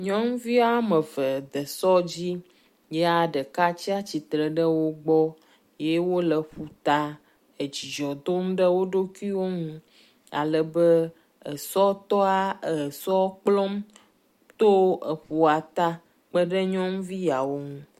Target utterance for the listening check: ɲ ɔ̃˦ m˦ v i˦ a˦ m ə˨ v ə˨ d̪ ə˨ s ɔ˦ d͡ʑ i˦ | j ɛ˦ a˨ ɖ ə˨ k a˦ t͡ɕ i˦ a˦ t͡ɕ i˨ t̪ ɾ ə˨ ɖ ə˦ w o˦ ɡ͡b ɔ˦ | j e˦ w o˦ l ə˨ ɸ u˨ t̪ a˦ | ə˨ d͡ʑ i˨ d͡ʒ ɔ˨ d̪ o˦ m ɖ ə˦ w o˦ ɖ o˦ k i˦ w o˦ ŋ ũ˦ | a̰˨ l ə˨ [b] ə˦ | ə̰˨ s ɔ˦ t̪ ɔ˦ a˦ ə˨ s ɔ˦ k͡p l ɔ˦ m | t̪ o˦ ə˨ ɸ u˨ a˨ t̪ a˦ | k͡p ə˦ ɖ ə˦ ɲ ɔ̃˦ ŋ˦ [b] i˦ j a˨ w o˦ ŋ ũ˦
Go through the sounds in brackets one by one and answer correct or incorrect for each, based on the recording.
correct, incorrect

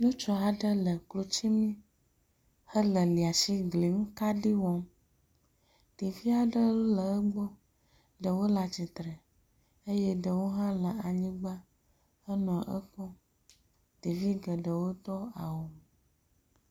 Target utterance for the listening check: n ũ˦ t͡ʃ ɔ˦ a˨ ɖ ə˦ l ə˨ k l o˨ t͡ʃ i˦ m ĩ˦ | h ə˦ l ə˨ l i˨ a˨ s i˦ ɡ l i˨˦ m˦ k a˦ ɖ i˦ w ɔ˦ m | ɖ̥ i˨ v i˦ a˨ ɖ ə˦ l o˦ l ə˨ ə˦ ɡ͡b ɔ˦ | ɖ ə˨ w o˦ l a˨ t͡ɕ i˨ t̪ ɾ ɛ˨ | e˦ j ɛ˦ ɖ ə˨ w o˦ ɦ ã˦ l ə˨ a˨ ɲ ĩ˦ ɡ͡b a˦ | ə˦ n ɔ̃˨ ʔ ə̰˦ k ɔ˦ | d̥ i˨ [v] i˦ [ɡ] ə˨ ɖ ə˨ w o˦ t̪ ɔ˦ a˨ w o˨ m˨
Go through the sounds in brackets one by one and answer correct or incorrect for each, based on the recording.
correct, correct

